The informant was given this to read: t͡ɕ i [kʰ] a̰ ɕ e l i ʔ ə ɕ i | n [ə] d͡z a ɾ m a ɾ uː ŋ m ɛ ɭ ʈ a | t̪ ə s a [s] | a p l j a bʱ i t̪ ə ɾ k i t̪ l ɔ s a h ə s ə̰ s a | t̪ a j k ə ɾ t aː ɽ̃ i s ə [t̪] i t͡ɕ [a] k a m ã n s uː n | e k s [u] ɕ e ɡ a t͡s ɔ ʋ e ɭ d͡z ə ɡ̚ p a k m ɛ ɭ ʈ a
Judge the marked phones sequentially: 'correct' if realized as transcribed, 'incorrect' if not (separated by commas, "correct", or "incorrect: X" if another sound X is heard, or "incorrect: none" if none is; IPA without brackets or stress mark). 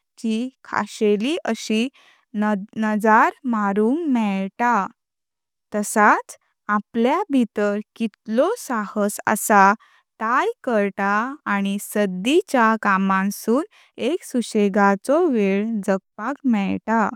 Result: correct, correct, incorrect: t͡s, incorrect: d̪, correct, correct